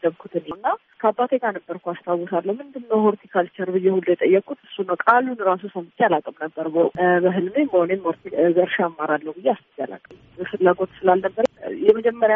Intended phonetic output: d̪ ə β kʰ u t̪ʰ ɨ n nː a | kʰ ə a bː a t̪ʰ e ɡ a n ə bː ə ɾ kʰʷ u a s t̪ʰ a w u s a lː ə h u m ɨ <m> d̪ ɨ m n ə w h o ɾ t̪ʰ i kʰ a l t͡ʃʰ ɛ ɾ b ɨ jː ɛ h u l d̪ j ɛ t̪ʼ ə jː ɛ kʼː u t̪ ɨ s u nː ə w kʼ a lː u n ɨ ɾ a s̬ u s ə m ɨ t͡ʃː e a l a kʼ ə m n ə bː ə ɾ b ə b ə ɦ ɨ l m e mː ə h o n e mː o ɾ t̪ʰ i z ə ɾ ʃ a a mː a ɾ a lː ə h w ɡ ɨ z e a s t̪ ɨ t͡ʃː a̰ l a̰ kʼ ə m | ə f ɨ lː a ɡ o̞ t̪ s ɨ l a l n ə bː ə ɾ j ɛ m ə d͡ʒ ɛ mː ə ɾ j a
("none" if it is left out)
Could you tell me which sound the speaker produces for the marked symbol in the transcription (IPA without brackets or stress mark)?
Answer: n